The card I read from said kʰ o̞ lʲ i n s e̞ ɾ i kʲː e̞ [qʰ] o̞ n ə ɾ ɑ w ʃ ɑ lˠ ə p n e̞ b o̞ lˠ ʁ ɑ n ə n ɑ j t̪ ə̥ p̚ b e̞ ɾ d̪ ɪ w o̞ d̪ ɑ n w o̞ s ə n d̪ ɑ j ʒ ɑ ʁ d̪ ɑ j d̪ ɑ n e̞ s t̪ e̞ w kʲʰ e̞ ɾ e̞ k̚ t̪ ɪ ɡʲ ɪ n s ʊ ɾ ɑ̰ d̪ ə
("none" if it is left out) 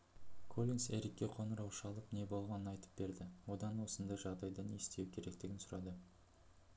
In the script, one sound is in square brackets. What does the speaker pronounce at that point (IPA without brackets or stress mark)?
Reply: qʰ